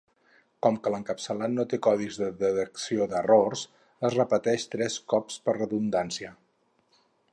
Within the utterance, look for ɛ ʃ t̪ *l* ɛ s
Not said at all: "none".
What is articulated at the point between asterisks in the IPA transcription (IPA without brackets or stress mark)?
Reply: ɾ